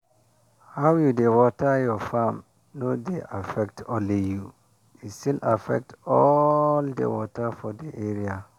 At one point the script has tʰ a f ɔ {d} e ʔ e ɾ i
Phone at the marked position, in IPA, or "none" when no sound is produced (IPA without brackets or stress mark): d